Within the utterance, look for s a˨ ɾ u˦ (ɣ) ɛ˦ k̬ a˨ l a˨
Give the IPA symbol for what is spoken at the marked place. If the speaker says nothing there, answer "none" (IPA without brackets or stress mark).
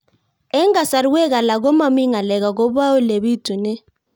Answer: w